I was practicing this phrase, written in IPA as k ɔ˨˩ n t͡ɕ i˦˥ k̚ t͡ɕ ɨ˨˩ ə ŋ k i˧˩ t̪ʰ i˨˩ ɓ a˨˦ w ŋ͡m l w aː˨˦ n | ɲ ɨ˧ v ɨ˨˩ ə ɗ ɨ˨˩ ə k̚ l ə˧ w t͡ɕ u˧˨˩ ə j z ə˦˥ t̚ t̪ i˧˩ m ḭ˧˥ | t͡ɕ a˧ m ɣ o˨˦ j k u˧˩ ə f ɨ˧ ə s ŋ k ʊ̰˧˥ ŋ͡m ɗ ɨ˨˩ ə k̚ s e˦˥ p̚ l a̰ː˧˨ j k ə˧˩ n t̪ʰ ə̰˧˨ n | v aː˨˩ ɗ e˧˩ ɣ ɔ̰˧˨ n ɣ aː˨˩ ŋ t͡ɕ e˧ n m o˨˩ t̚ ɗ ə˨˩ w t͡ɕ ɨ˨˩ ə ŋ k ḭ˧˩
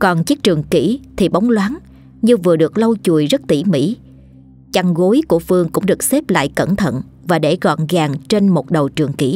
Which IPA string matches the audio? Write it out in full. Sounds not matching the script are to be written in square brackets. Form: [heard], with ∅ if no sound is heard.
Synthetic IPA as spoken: k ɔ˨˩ n t͡ɕ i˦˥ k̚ t͡ɕ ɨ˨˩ ə ŋ k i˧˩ t̪ʰ i˨˩ ɓ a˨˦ w ŋ͡m l w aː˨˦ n | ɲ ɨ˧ v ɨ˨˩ ə ɗ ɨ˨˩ ə k̚ l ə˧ w t͡ɕ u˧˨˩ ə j z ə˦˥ t̚ t̪ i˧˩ m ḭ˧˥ | t͡ɕ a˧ [ŋ] ɣ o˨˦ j k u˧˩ ə f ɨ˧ ə [∅] ŋ k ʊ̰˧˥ ŋ͡m ɗ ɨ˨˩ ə k̚ s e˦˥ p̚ l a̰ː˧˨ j k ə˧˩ n t̪ʰ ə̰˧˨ n | v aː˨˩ ɗ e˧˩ ɣ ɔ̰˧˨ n ɣ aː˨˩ ŋ t͡ɕ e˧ n m o˨˩ t̚ ɗ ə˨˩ w t͡ɕ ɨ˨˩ ə ŋ k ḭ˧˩